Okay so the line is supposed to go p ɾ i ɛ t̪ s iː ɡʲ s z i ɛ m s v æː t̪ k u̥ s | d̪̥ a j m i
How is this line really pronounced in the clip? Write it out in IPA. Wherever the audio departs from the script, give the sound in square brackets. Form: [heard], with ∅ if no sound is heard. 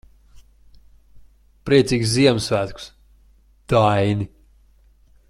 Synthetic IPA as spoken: p ɾ i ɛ t̪ s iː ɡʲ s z i ɛ m s v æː t̪ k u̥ s | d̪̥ a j [n] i